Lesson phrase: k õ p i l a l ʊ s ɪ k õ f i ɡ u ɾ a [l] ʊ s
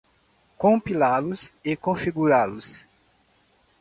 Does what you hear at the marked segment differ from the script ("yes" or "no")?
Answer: no